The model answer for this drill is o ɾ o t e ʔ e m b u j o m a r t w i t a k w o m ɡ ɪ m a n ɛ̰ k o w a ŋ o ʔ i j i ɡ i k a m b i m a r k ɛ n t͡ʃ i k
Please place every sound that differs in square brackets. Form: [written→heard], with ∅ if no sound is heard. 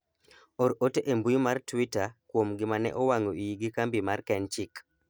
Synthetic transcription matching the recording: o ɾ o t e ʔ e m b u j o m a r t w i t a k w o m ɡ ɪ m a n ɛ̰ [k→ʔ] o w a ŋ o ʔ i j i ɡ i k a m b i m a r k ɛ n t͡ʃ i k